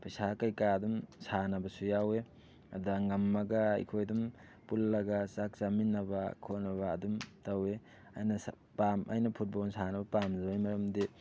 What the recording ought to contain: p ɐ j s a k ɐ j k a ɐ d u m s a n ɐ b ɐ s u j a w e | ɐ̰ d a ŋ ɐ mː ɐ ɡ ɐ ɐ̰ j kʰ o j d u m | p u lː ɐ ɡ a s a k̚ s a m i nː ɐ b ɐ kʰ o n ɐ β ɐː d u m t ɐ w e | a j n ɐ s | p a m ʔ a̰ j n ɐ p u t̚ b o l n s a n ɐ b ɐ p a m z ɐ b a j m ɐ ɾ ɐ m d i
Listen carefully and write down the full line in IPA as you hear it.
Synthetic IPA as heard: p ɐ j s a k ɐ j k a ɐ d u m s a n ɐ b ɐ s u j a w e | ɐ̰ d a ŋ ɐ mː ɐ ɡ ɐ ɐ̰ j kʰ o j d u m | p u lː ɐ ɡ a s a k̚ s a m i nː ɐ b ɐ kʰ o n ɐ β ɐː d u m t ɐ w e | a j n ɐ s | p a m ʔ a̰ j n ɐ pʰ u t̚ b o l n s a n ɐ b ɐ p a m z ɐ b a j m ɐ ɾ ɐ m d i